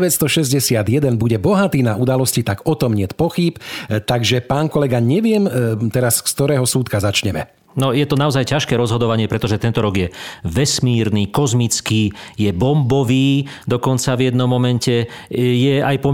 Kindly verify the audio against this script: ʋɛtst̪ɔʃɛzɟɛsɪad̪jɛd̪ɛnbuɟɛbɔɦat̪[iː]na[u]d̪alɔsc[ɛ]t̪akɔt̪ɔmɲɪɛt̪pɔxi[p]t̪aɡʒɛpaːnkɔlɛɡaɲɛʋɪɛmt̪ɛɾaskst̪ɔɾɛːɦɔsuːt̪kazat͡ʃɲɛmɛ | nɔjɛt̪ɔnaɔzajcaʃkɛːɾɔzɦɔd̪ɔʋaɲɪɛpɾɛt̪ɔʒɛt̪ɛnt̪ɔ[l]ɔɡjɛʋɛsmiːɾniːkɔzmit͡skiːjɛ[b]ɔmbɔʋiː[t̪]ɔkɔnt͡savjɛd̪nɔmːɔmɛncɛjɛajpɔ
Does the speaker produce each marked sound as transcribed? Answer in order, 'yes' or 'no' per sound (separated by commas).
yes, yes, no, yes, no, yes, no